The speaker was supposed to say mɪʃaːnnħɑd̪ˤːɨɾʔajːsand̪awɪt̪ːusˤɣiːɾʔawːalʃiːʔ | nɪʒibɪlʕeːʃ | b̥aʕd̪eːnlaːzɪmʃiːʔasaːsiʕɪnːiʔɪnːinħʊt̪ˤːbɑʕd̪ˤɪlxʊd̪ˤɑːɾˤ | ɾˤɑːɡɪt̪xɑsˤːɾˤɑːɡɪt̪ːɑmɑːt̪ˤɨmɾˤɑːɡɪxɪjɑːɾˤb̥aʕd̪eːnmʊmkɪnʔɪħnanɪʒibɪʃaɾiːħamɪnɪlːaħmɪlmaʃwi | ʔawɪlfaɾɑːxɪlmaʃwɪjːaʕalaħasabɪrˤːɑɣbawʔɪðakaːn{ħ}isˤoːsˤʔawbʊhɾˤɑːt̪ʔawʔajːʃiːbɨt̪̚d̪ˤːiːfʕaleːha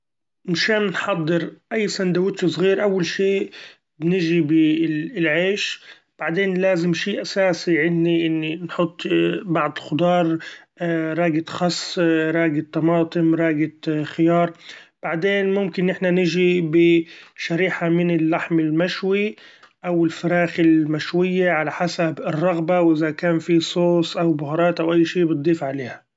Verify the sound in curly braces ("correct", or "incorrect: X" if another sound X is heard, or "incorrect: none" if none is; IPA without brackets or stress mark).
incorrect: f